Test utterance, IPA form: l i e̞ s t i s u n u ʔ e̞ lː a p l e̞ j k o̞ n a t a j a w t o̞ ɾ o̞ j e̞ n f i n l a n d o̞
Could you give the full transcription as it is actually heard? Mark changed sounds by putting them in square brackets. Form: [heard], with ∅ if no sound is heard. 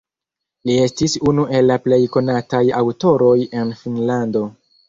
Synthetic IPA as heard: l i e̞ s t i s u n u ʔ e̞ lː a p l e̞ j k o̞ n a t a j a w t o̞ ɾ o̞ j e̞ n f i n l a n d o̞